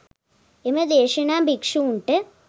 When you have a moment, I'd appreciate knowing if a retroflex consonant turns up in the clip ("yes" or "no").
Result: yes